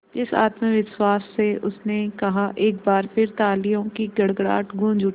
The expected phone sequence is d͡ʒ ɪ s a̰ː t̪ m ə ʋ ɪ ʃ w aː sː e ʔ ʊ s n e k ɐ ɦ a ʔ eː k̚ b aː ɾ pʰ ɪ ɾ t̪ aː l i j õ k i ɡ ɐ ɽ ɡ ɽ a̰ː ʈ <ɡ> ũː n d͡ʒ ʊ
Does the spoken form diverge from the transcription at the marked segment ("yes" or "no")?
no